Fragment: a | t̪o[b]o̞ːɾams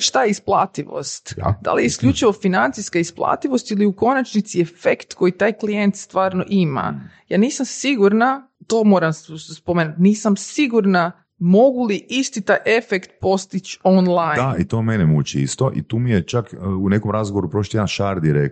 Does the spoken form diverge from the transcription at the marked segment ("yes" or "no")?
yes